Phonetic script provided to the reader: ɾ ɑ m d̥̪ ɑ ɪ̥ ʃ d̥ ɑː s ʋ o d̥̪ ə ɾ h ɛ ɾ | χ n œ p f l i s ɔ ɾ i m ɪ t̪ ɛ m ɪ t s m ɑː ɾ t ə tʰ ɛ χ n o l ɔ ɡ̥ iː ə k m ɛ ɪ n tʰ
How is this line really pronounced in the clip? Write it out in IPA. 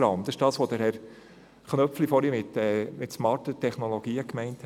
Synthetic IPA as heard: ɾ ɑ m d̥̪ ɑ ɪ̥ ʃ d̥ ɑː s ʋ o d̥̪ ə ɾ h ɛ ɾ | χ n œ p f l i f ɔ ɾ i m ɪ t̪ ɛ m ɪ t s m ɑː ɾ t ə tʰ ɛ χ n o l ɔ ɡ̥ iː ə k m ɛ ɪ n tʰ